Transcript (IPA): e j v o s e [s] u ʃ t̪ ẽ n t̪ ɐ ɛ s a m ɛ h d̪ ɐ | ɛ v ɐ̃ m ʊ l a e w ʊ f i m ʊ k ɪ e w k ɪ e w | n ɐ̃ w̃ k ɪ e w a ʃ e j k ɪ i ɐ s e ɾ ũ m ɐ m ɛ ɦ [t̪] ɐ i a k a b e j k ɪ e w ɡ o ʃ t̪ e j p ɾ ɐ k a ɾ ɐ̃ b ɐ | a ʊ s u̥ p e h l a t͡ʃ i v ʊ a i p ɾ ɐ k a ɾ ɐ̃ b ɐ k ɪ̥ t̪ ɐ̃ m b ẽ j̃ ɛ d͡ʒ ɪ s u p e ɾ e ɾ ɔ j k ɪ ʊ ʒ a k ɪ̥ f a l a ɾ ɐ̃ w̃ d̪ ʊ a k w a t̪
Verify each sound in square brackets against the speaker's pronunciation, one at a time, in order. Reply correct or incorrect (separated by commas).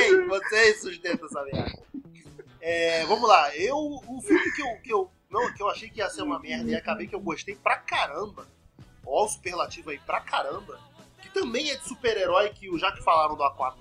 correct, incorrect